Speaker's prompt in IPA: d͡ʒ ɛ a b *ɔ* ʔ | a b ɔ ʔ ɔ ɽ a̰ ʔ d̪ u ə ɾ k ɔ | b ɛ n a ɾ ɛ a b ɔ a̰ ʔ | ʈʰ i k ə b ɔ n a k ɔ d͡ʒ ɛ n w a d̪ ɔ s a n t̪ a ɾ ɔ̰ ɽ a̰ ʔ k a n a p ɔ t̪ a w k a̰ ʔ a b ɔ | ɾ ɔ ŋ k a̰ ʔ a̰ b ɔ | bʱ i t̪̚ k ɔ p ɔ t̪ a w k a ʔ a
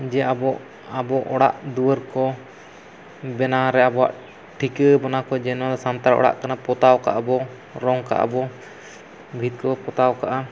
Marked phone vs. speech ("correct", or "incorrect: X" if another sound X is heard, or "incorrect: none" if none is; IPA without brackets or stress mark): correct